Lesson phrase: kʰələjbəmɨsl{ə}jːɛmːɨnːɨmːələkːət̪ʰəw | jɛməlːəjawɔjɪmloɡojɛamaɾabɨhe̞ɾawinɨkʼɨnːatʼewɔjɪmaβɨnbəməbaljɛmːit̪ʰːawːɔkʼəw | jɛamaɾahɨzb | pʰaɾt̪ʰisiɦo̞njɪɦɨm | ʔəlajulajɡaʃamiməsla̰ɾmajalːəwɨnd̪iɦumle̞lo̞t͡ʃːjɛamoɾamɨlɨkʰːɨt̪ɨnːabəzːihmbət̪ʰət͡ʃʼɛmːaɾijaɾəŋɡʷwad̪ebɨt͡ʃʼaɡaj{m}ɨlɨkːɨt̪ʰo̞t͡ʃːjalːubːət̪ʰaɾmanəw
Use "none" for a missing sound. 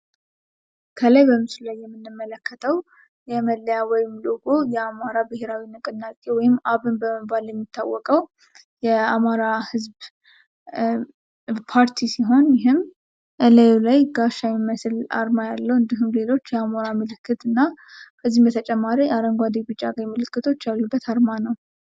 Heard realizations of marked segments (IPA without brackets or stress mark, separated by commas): a, m